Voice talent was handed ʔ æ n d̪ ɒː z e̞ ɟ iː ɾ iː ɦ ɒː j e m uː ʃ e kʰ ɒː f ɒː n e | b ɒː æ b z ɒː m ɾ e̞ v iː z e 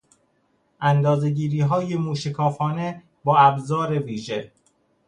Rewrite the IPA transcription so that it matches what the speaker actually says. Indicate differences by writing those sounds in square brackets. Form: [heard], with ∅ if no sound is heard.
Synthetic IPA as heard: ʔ æ n d̪ ɒː z e̞ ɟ iː ɾ iː ɦ ɒː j e m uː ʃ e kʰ ɒː f ɒː n e | b ɒː æ b z ɒː [∅] ɾ e̞ v iː [ʒ] e